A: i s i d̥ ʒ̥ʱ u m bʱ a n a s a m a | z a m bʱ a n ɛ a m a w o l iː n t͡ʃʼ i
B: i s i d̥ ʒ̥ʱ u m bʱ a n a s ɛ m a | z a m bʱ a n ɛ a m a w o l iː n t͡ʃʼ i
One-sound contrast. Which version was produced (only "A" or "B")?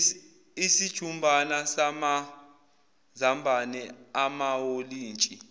A